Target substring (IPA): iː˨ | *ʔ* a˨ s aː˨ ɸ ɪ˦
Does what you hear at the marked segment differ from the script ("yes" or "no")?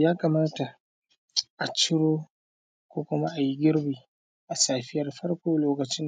no